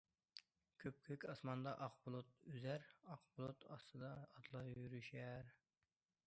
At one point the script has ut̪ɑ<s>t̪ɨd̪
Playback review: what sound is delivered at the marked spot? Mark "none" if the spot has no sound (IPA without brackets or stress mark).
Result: s